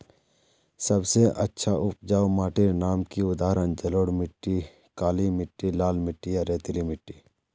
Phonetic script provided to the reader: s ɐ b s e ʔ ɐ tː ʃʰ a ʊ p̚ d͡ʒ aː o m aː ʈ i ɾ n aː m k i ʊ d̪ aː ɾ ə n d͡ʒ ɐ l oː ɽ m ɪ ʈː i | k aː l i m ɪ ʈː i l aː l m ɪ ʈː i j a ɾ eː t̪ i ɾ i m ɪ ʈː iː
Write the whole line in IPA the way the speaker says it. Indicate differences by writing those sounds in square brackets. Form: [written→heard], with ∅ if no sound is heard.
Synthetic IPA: s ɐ b s e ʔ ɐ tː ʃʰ a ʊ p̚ d͡ʒ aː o m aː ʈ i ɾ n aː m k i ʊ d̪ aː ɾ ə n d͡ʒ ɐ l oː ɽ m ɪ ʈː i | k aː l i m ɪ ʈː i l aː l m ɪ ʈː i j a ɾ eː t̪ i [ɾ→l] i m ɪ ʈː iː

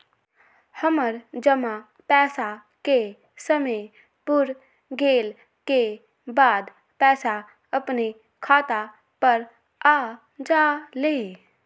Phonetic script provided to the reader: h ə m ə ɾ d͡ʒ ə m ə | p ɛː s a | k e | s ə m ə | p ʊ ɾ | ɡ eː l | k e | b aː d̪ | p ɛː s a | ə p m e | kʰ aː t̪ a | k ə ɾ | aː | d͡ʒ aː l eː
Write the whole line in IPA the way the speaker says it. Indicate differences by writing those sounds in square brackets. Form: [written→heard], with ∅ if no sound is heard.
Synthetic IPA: h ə m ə ɾ d͡ʒ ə m [ə→a] | p ɛː s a | k e | s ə m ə | p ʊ ɾ | ɡ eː l | k e | b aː d̪ | p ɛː s a | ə p [m→n] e | kʰ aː t̪ a | [k→p] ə ɾ | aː | d͡ʒ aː l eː

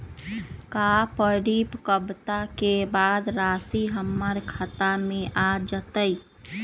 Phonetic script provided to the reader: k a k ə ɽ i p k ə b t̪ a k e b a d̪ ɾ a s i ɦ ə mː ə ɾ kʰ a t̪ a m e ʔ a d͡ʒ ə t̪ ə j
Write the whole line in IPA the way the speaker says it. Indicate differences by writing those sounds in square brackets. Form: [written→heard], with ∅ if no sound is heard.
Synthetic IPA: k a [k→p] ə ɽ i p k ə b t̪ a k e b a d̪ ɾ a s i ɦ ə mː ə ɾ kʰ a t̪ a m e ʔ a d͡ʒ ə t̪ ə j

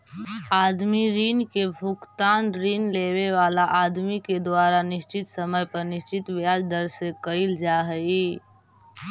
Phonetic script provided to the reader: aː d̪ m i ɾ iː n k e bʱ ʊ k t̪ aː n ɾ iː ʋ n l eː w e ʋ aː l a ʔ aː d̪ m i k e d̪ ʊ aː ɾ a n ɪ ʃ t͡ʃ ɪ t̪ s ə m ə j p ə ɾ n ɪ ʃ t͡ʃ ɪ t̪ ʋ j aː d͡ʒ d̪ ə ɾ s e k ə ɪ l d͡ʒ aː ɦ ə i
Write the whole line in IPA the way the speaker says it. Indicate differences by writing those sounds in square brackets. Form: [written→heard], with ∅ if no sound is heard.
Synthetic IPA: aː d̪ m i ɾ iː n k e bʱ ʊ k t̪ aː n ɾ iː [ʋ→∅] n l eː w e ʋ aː l a ʔ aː d̪ m i k e d̪ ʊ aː ɾ a n ɪ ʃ t͡ʃ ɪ t̪ s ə m ə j p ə ɾ n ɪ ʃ t͡ʃ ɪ t̪ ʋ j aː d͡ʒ d̪ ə ɾ s e k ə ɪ l d͡ʒ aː ɦ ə i

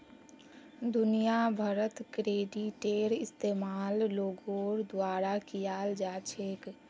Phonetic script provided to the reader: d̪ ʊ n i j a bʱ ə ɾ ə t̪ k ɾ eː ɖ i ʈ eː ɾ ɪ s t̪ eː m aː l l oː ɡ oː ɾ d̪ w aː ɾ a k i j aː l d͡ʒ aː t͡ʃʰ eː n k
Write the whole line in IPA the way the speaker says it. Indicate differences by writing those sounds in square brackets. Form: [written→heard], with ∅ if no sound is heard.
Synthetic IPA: d̪ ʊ n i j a bʱ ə ɾ ə t̪ k ɾ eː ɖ i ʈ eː ɾ ɪ s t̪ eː m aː l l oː ɡ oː ɾ d̪ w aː ɾ a k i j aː l d͡ʒ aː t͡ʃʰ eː [n→∅] k

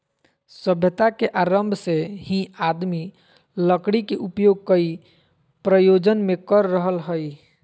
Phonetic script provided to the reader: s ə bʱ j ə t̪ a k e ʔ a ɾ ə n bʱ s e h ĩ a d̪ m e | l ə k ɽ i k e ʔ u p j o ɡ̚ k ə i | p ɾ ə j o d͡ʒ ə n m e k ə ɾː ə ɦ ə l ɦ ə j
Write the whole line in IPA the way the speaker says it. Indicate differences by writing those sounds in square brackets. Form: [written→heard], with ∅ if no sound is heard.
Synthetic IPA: s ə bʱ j ə t̪ a k e ʔ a ɾ ə [n→m] bʱ s e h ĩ a d̪ m [e→i] | l ə k ɽ i k e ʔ u p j o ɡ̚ k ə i | p ɾ ə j o d͡ʒ ə n m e k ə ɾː ə ɦ ə l ɦ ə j

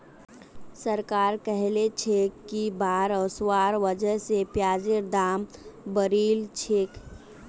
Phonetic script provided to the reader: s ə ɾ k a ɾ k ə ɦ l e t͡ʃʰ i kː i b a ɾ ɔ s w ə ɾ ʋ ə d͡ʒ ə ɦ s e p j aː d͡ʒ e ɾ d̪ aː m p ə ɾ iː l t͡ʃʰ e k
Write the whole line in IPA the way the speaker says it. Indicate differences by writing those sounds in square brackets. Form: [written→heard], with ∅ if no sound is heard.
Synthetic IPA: s ə ɾ k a ɾ k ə ɦ l e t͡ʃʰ [i→e] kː i b a ɾ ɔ s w [ə→a] ɾ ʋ ə d͡ʒ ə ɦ s e p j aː d͡ʒ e ɾ d̪ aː m [p→b] ə ɾ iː l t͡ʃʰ e k

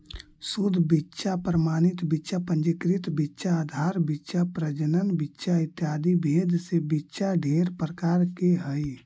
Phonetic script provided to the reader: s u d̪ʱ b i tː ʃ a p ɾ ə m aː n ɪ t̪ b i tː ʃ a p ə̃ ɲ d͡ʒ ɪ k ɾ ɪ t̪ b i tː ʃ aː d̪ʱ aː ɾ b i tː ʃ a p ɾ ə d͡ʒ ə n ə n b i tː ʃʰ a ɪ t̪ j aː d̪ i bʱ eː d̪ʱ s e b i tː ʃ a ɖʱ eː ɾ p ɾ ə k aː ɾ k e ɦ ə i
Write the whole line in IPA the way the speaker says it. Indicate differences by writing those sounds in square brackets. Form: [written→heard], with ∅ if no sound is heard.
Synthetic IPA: s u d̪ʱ b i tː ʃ a p ɾ ə m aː n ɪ t̪ b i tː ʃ a p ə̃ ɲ d͡ʒ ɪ k ɾ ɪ t̪ b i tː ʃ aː d̪ʱ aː ɾ b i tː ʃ a p ɾ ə d͡ʒ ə n ə n b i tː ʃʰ a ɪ t̪ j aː d̪ i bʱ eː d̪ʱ s e b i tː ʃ a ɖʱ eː ɾ p ɾ ə k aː ɾ k e ɦ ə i

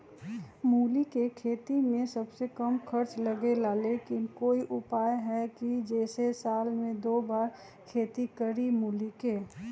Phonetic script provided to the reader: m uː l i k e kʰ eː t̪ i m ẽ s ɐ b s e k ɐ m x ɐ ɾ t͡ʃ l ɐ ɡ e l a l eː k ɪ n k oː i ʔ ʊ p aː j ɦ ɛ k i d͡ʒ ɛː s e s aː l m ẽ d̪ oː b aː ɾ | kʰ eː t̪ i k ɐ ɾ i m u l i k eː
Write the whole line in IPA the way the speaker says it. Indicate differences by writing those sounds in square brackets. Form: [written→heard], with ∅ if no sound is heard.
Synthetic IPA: m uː l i k e kʰ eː t̪ i m ẽ s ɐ b s e k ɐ m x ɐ ɾ t͡ʃ l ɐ ɡ e l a l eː k ɪ n k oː i ʔ ʊ p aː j ɦ ɛ k i d͡ʒ ɛː s e s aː l m ẽ d̪ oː b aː ɾ | kʰ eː t̪ i k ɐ ɾ i m [u→uː] l i k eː

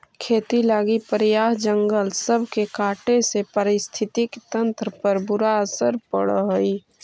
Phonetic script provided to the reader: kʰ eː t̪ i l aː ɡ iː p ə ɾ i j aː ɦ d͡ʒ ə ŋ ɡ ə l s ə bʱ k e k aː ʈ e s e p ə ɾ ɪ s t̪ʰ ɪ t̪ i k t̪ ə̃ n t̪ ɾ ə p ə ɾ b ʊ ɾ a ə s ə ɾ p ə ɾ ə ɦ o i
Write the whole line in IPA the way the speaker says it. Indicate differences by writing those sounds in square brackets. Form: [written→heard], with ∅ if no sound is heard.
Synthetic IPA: kʰ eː t̪ i l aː ɡ [iː→i] p ə ɾ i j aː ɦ d͡ʒ ə ŋ ɡ ə l s ə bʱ k e k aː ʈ e s e p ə ɾ ɪ s t̪ʰ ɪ t̪ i k t̪ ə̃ n t̪ ɾ ə p ə ɾ b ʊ ɾ a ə s ə ɾ p ə [ɾ→ɽ] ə ɦ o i

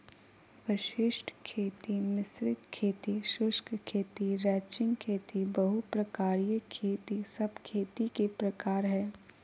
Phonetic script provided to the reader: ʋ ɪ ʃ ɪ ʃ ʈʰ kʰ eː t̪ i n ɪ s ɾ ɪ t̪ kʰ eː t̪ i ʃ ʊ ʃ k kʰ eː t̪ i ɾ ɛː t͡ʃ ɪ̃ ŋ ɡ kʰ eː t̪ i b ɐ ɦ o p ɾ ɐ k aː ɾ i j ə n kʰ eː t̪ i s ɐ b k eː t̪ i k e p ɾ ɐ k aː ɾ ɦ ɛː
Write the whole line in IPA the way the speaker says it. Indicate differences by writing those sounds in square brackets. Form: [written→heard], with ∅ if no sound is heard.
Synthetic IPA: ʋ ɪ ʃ ɪ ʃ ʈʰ kʰ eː t̪ i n ɪ s ɾ ɪ t̪ kʰ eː t̪ i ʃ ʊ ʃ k kʰ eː t̪ i ɾ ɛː t͡ʃ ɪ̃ ŋ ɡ kʰ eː t̪ i b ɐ ɦ [o→u] p ɾ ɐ k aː ɾ i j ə [n→∅] kʰ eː t̪ i s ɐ b [k→kʰ] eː t̪ i k e p ɾ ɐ k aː ɾ ɦ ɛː

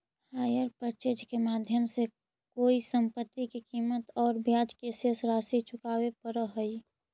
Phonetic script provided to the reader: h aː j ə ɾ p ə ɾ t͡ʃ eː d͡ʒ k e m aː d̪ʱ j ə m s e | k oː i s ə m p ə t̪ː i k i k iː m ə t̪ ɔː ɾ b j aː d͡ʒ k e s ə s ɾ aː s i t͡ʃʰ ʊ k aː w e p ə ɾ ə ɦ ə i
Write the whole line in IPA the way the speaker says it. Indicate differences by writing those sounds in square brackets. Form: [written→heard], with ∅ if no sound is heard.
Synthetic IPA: h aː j ə ɾ p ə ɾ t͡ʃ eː d͡ʒ k e m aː d̪ʱ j ə m s e | k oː i s ə m p ə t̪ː i k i k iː m ə t̪ ɔː ɾ b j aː d͡ʒ k e s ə s ɾ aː s i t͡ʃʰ ʊ k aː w e p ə ɾ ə ɦ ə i

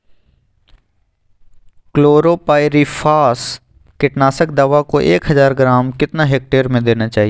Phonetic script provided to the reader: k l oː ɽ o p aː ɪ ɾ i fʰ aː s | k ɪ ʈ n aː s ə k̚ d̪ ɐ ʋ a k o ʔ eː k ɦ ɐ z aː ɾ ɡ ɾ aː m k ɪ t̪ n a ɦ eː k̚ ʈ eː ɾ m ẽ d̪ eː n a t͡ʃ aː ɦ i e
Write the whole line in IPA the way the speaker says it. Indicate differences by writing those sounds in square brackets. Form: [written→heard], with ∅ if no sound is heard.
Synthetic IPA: k l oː [ɽ→ɾ] o p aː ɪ ɾ i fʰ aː s | k ɪ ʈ n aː s ə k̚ d̪ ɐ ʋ a k o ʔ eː k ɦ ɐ z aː ɾ ɡ ɾ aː m k ɪ t̪ n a ɦ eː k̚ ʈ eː ɾ m ẽ d̪ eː n a t͡ʃ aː ɦ i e

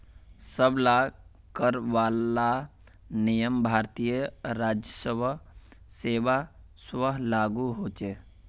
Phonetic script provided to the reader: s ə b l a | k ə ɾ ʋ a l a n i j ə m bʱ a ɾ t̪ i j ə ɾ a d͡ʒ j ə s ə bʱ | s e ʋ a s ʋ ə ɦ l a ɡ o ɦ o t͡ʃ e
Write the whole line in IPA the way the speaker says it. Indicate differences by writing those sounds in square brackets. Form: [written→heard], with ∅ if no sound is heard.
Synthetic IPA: s ə b l a | k ə ɾ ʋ a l a n i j ə m bʱ a ɾ t̪ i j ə ɾ a d͡ʒ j ə s ə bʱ | s e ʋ a s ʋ ə ɦ l a ɡ [o→u] ɦ o t͡ʃ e

